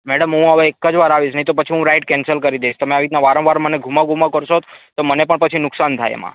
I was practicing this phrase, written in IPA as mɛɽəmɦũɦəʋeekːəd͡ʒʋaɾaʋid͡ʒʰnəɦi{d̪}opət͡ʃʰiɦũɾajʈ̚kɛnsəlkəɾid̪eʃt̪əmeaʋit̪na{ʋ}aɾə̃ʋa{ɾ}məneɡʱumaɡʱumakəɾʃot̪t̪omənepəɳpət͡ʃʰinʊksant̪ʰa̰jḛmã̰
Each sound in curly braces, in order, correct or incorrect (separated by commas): incorrect, correct, correct